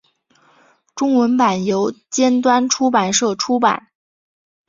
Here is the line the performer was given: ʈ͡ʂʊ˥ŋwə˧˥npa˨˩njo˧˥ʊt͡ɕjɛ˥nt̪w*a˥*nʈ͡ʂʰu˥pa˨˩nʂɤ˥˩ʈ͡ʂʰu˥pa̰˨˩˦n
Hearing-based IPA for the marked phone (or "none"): a˥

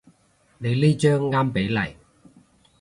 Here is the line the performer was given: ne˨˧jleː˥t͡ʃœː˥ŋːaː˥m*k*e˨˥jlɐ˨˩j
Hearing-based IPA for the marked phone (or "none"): p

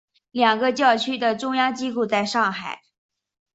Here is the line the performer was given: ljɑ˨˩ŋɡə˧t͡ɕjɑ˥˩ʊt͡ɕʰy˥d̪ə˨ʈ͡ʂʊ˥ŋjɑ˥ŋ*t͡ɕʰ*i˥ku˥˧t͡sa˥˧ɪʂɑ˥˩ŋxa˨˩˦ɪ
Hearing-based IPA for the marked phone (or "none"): t͡ɕ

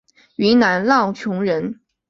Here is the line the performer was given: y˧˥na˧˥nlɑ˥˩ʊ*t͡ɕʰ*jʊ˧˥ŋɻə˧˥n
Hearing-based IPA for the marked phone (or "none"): t͡ɕʰ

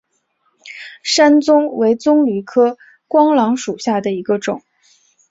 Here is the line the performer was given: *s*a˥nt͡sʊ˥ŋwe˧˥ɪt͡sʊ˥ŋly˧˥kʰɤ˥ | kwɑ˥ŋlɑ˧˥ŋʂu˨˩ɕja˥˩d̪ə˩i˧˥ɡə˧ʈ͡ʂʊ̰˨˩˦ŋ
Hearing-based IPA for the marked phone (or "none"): ʂ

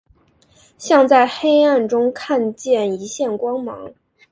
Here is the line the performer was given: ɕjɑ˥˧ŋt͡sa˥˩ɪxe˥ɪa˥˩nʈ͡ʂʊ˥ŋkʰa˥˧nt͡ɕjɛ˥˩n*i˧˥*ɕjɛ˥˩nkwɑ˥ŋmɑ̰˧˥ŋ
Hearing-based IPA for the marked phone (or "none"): i˧˥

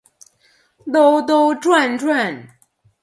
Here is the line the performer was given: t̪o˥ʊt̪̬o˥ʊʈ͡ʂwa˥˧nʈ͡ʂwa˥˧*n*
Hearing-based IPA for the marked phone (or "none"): n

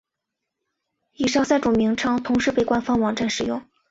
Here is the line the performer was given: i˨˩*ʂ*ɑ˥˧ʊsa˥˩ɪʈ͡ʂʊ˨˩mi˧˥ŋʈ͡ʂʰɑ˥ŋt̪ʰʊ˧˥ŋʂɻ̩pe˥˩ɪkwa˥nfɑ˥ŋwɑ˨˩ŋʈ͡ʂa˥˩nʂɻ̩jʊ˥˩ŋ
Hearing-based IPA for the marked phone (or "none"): ʂ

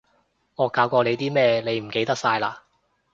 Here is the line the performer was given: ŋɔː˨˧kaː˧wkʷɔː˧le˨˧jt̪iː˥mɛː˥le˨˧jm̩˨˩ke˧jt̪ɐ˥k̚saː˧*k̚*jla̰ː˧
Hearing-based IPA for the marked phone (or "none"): none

